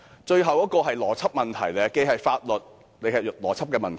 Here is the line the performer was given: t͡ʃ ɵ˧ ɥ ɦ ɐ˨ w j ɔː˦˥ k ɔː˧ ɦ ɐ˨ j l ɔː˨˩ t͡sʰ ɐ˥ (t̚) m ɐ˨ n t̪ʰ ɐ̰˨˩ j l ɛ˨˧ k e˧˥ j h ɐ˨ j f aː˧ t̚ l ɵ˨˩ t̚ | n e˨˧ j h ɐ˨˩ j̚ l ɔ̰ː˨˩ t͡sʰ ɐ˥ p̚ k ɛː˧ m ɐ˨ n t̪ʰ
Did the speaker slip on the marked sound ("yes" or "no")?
yes